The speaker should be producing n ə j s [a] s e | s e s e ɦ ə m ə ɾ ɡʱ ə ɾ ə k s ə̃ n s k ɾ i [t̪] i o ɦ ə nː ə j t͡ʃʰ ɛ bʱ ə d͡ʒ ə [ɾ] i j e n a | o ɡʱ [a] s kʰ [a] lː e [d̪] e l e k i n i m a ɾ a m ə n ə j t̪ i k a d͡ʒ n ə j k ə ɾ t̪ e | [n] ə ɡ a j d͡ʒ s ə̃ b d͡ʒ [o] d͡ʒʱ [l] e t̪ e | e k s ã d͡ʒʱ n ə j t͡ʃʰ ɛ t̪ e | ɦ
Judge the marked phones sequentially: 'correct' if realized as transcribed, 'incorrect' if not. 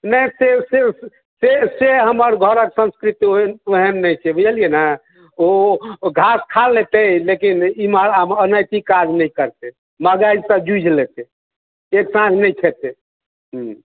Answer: incorrect: e, correct, incorrect: l, correct, correct, incorrect: t̪, incorrect: m, incorrect: u, correct

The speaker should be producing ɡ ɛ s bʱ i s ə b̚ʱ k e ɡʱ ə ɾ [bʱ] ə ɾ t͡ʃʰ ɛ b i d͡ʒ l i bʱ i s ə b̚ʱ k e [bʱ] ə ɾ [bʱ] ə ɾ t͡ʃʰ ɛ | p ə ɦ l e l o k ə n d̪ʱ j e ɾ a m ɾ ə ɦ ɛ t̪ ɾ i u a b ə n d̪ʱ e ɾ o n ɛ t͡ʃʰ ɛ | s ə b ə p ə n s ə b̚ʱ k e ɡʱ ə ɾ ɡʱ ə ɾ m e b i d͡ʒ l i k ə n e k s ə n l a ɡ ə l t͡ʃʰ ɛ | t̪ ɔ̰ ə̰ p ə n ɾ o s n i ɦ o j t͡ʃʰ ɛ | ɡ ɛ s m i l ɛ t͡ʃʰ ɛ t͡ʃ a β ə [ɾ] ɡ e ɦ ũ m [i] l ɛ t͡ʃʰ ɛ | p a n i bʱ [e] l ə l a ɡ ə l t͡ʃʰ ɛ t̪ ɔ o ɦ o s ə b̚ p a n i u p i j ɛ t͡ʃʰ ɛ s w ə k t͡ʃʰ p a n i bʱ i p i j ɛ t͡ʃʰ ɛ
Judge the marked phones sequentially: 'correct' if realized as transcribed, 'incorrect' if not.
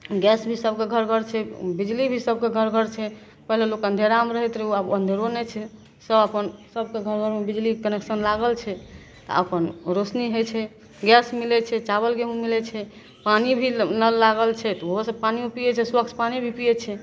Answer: incorrect: ɡʱ, incorrect: ɡʱ, incorrect: ɡʱ, incorrect: l, correct, incorrect: i

